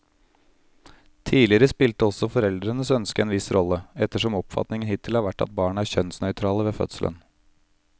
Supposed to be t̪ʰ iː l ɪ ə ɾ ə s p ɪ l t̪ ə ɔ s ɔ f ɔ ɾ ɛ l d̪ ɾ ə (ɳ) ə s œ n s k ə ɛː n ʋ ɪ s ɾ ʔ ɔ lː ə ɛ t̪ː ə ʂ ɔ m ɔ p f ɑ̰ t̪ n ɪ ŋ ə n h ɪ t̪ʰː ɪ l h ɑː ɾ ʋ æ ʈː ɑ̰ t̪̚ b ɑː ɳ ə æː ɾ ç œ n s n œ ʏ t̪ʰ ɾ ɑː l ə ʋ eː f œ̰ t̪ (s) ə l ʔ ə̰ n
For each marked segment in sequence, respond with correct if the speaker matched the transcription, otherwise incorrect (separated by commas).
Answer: incorrect, correct